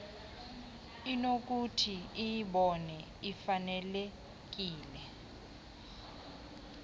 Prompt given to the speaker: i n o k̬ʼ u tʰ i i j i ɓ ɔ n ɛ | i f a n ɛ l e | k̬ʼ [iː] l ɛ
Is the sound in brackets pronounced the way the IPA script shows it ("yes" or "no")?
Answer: yes